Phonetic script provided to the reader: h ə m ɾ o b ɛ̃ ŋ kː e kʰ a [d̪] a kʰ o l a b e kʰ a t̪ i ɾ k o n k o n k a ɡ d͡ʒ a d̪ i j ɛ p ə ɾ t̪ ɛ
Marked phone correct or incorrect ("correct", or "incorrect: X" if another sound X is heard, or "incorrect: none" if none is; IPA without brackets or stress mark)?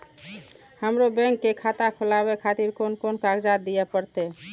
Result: incorrect: t̪